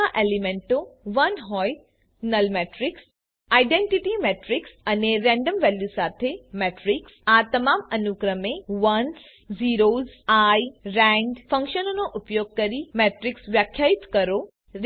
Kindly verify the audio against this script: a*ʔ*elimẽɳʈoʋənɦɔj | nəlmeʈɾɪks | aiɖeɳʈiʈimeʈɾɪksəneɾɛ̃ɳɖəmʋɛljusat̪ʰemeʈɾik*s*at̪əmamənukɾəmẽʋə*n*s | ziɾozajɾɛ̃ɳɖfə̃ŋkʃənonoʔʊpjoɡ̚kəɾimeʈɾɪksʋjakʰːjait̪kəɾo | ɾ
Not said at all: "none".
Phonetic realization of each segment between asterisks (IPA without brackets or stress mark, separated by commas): ʔ, s, n